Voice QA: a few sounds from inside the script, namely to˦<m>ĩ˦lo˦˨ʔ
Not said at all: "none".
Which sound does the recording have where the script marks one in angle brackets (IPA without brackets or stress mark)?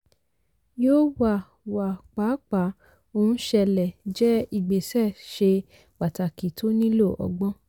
n